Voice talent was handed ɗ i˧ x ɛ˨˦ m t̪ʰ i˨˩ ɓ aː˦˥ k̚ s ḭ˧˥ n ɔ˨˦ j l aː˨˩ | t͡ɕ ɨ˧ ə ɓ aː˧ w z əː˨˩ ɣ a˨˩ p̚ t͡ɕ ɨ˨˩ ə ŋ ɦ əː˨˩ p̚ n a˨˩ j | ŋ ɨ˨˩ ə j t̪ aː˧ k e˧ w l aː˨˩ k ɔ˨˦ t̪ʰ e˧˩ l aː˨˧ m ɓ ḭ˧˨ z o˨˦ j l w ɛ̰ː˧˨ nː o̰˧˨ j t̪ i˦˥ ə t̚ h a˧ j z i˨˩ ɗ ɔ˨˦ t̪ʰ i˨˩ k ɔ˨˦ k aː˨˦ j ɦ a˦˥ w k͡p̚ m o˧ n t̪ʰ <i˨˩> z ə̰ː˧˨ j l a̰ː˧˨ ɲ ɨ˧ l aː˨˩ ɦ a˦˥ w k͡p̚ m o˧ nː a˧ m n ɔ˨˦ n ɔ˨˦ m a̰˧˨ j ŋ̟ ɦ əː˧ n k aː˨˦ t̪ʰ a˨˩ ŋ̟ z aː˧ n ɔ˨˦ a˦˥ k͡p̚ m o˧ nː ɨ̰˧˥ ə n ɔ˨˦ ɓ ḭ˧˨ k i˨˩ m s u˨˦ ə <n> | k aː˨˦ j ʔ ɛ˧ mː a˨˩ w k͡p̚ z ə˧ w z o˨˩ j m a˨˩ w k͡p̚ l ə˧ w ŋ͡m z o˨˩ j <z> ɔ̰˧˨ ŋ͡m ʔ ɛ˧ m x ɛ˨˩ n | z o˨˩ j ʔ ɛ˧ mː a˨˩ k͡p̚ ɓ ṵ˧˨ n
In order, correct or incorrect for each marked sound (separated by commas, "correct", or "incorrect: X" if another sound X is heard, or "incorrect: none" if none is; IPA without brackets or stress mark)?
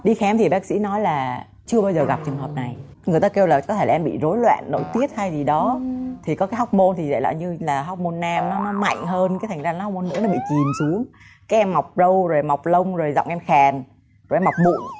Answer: correct, incorrect: ŋ, correct